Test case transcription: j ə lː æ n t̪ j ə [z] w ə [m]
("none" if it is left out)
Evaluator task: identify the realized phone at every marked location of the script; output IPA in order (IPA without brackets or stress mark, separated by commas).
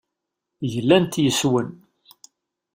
s, n